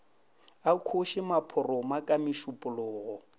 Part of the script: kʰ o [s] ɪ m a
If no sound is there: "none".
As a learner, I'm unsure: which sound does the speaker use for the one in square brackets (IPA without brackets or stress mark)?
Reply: ʃ